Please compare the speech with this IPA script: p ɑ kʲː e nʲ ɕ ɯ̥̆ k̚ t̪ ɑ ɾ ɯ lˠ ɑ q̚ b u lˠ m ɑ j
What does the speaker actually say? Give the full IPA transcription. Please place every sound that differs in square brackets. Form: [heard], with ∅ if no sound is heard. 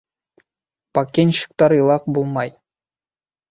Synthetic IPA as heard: p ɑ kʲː e nʲ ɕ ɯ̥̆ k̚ t̪ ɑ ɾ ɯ lˠ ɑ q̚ b u lˠ m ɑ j